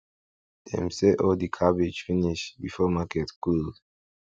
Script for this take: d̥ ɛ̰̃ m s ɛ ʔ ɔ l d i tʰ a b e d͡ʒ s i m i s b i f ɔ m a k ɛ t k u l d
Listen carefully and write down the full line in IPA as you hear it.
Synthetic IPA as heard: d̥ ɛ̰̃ m s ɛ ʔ ɔ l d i kʰ a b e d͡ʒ f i n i ʃ b i f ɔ m a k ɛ t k u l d